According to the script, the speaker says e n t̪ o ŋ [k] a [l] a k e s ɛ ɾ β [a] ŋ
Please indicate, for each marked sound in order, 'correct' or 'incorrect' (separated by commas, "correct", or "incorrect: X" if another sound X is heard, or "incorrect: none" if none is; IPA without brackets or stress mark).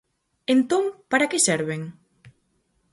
incorrect: p, incorrect: ɾ, incorrect: e